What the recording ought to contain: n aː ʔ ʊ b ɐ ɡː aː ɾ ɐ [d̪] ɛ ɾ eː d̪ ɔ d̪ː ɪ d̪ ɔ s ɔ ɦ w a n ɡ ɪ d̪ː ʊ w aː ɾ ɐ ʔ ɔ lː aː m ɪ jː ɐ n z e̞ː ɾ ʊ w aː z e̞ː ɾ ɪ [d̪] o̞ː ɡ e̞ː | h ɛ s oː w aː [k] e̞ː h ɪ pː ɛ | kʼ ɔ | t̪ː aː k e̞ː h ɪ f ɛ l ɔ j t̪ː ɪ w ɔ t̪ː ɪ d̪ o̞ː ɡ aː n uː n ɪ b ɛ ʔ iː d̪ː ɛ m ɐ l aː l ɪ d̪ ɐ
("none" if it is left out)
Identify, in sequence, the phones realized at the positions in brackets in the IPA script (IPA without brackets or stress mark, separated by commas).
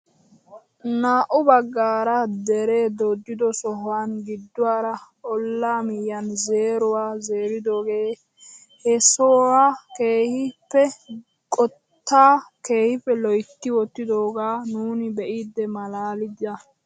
d̪, d̪, k